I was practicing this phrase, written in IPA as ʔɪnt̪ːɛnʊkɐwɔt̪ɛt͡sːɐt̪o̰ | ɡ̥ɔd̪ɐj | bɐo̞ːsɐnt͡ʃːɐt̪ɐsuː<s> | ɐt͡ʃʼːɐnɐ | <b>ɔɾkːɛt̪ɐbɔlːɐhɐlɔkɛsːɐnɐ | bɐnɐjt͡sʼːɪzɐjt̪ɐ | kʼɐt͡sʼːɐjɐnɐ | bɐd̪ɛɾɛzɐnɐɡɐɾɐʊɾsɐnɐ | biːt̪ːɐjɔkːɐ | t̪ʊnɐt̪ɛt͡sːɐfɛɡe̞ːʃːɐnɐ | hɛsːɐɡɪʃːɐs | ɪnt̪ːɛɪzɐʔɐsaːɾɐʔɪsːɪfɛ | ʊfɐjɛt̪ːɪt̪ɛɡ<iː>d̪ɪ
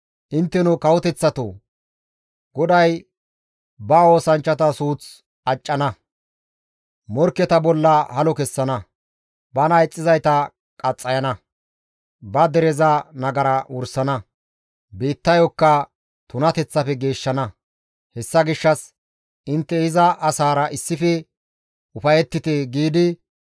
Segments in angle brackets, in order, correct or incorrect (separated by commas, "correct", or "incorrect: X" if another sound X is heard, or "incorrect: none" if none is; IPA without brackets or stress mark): incorrect: t͡s, incorrect: m, correct